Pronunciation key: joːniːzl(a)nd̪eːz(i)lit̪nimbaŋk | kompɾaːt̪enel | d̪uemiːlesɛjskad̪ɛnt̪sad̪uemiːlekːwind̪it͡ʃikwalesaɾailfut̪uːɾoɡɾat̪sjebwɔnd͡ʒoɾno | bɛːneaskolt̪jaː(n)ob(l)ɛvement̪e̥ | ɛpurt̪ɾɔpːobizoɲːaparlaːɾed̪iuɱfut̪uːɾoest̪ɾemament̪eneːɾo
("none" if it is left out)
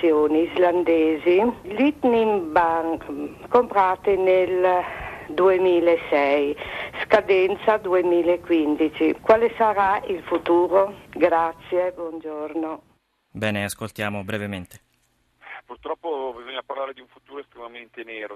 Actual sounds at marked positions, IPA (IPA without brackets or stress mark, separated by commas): a, i, m, ɾ